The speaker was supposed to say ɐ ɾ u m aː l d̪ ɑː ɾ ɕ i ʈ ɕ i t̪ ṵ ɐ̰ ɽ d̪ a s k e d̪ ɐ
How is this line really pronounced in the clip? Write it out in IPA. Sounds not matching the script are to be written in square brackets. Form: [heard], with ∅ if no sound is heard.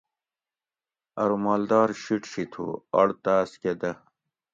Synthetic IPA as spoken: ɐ ɾ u m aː l d̪ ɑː ɾ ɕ i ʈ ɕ i [t̪ʰ] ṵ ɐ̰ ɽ [t̪] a s k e d̪ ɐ